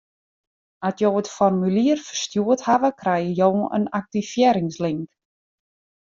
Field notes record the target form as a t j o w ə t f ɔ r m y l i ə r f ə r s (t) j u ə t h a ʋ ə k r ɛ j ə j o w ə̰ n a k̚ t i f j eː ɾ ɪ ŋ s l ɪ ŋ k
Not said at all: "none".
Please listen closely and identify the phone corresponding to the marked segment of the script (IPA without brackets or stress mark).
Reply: t